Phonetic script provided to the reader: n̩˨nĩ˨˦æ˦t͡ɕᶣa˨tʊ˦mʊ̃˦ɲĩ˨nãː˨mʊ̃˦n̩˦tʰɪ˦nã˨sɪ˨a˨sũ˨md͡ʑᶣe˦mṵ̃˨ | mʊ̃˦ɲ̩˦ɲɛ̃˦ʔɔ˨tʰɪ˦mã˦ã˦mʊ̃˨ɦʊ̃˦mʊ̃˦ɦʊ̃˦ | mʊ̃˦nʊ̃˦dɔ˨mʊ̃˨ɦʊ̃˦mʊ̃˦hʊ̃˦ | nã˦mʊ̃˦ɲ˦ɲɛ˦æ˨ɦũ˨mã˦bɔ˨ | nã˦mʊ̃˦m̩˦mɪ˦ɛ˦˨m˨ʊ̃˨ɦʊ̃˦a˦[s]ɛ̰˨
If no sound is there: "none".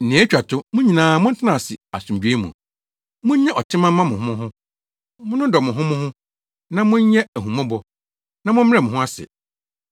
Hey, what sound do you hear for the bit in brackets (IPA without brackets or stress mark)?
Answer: s